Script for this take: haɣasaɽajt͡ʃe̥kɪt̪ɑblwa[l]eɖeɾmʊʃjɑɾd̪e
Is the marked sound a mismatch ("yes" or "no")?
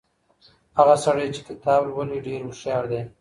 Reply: no